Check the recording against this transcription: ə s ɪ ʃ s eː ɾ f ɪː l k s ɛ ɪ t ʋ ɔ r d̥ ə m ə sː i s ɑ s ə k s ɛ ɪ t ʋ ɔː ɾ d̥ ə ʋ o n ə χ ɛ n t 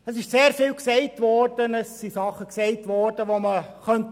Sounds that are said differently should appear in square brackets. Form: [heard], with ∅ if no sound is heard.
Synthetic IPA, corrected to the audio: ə s ɪ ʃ s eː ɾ f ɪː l k s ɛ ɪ t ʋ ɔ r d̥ ə [n] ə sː i s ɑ [χ] ə k s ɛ ɪ t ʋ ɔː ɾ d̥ ə ʋ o [m] ə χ [œ] n t